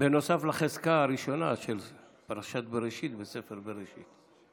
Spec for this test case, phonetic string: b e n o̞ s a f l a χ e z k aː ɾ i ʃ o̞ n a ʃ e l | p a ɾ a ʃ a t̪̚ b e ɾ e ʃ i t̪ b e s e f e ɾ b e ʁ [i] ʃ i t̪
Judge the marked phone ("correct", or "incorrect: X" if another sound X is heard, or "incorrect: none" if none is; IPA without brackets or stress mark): incorrect: e